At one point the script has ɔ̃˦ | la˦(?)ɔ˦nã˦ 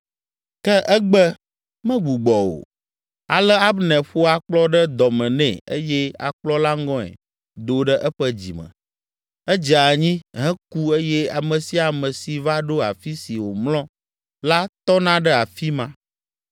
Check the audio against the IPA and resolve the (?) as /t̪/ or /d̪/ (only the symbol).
t̪